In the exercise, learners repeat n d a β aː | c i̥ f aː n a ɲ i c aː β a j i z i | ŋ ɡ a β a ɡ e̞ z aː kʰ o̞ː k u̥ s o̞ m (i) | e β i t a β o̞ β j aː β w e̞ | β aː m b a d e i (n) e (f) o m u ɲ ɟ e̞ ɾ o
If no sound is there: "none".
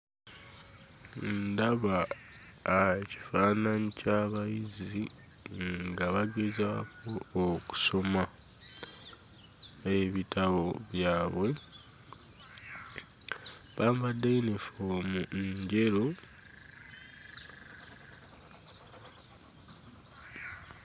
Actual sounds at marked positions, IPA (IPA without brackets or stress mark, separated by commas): a, n, f